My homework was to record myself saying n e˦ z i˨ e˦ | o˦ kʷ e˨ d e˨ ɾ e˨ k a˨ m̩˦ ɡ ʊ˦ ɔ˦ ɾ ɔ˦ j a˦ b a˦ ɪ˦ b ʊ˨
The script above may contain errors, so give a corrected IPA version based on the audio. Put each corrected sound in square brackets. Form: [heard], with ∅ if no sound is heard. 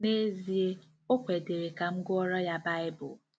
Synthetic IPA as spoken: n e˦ z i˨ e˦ | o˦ kʷ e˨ d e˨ ɾ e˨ k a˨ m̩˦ ɡ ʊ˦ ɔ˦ ɾ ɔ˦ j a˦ b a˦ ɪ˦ b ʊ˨